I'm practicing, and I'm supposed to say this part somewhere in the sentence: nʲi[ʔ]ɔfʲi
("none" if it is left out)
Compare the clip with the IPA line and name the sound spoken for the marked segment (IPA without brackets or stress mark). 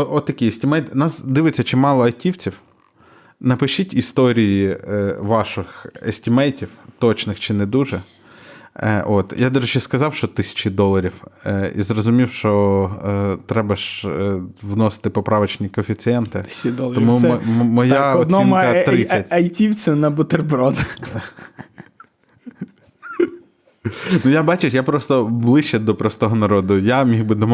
k